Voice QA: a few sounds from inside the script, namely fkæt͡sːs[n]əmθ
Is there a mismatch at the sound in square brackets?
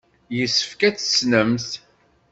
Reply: no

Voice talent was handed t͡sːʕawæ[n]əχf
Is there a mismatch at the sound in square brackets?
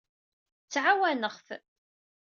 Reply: no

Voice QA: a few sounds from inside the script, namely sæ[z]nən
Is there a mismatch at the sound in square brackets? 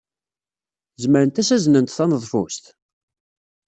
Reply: no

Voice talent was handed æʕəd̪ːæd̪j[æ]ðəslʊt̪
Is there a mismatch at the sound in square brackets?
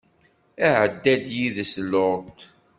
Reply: yes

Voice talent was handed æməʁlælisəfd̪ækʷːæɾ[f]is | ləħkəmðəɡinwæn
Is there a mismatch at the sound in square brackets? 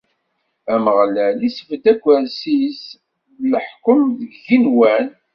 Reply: yes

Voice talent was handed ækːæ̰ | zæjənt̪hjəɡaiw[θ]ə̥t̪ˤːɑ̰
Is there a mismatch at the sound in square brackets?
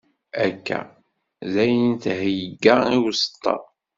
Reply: yes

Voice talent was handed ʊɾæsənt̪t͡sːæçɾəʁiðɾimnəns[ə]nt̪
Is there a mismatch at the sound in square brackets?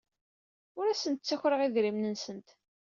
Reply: no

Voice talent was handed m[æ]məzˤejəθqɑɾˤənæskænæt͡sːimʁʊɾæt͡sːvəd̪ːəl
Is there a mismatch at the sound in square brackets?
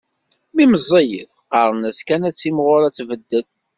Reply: yes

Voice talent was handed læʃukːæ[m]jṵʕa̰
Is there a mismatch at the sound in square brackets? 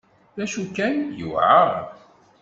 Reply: yes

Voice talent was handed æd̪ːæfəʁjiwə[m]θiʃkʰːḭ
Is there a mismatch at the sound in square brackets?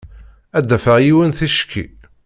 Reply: yes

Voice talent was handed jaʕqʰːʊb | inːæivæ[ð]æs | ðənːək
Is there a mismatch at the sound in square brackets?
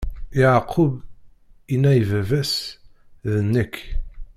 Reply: yes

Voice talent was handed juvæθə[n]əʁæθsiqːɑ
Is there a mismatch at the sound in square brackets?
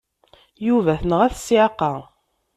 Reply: no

